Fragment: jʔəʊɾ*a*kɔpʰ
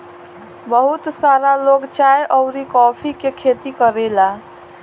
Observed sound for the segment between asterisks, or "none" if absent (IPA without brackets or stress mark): i